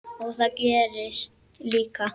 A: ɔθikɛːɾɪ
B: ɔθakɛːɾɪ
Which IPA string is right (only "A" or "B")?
B